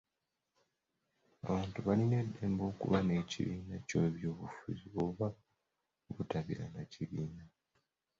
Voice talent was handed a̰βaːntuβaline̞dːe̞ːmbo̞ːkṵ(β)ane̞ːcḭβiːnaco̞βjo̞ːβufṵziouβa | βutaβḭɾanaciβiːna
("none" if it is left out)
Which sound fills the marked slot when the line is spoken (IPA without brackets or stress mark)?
β